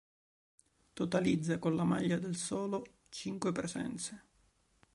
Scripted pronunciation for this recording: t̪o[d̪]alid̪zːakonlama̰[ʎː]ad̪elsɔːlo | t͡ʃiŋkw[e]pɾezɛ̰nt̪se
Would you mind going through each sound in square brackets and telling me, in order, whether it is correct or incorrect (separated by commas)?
incorrect, correct, correct